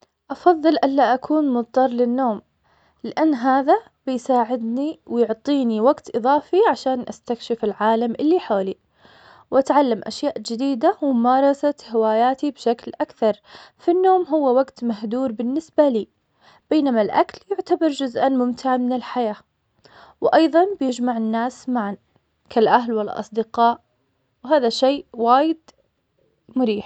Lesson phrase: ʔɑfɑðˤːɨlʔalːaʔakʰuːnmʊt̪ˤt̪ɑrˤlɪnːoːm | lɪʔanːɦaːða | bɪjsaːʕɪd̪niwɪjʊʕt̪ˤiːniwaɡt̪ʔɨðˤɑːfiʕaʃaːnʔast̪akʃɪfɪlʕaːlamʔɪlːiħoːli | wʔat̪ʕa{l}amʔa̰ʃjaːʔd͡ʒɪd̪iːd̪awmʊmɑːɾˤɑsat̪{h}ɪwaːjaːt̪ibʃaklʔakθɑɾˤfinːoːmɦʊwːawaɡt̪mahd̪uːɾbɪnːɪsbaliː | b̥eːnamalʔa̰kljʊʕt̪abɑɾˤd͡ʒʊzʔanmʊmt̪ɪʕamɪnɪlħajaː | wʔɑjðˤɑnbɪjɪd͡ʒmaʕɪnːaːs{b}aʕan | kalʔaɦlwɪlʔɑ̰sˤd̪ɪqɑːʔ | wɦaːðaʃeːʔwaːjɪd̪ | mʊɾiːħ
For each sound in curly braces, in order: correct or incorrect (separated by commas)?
incorrect, correct, incorrect